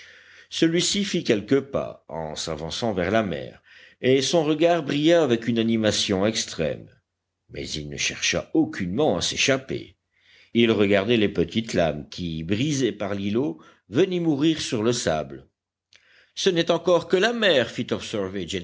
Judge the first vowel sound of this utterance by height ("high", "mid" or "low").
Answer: mid